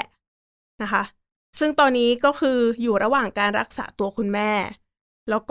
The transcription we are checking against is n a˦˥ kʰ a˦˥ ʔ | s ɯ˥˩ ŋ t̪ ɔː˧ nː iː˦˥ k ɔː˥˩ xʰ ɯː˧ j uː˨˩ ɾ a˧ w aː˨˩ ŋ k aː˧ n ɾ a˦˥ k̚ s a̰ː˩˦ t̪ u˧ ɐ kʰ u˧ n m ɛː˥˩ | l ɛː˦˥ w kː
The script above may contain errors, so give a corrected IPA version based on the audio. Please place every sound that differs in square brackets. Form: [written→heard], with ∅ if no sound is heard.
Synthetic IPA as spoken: n a˦˥ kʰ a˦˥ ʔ | s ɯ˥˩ ŋ t̪ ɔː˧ nː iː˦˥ k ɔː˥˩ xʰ ɯː˧ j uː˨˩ ɾ a˧ w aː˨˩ ŋ k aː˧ n ɾ a˦˥ k̚ s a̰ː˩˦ t̪ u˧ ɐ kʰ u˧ n m ɛː˥˩ | l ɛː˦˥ w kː